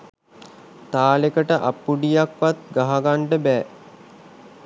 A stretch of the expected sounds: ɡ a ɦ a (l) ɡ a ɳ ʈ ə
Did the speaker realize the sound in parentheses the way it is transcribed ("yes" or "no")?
no